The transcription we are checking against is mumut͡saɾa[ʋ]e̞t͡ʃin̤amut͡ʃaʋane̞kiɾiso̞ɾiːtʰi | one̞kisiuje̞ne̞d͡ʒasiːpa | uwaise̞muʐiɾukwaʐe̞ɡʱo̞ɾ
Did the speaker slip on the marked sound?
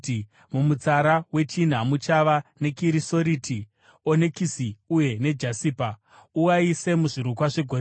yes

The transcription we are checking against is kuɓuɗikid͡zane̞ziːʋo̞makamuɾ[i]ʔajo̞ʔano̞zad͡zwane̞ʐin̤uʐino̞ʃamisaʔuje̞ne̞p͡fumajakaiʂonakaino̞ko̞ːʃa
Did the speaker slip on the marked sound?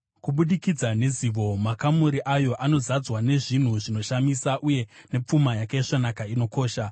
no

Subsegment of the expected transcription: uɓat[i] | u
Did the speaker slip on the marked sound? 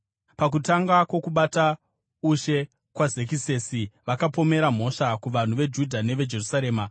yes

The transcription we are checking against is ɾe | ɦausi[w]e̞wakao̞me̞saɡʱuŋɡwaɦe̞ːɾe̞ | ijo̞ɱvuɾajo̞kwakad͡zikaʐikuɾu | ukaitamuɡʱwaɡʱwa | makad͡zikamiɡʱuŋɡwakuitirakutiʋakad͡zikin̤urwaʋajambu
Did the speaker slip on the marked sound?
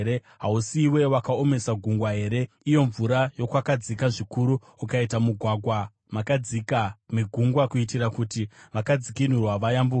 no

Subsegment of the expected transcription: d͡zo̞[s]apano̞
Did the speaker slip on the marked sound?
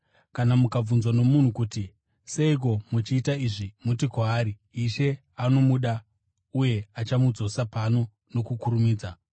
no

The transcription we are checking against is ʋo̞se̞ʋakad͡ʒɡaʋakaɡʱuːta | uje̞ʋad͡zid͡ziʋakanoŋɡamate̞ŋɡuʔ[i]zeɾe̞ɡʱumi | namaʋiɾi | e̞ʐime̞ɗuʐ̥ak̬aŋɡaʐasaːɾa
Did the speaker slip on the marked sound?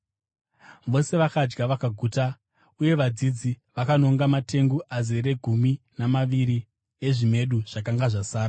yes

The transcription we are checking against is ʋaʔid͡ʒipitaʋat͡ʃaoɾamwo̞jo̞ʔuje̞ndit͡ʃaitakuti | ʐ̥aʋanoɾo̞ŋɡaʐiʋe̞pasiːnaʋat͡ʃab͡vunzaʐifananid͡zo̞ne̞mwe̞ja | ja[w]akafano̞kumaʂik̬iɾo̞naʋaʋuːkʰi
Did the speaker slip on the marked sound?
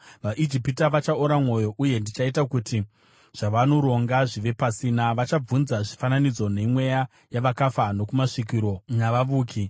yes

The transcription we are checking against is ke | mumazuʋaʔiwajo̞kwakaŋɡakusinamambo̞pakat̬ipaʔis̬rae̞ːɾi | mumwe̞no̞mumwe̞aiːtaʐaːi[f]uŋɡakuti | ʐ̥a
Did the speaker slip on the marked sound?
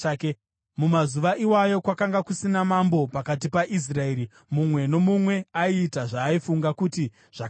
no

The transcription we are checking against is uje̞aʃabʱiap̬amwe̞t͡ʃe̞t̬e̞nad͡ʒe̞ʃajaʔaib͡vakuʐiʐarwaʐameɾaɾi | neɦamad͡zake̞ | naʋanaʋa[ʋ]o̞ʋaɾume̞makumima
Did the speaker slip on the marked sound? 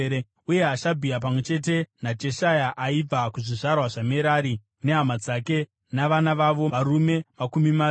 no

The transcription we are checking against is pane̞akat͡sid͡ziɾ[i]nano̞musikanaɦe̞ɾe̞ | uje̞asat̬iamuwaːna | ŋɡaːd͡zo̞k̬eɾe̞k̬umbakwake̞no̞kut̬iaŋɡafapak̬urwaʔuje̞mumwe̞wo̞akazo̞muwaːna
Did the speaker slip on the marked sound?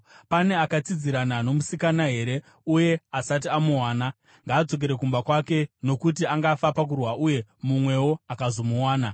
yes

